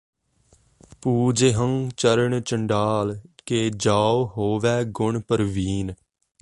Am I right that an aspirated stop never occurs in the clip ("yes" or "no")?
yes